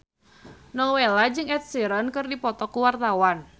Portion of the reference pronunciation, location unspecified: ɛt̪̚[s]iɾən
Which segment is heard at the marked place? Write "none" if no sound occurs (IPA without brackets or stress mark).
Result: s